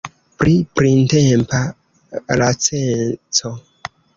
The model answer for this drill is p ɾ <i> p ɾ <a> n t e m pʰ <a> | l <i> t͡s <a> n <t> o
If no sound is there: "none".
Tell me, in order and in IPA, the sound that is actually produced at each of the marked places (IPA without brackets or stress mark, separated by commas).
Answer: i, i, a, a, e, t͡s